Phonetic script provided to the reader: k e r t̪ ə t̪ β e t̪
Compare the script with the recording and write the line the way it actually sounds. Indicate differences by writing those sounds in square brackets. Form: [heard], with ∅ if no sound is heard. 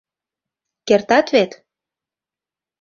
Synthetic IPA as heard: k e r t̪ [ɑ] t̪ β e t̪